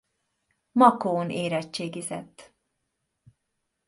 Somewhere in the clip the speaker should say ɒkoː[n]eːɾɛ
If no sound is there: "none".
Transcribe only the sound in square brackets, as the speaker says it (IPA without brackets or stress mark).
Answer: n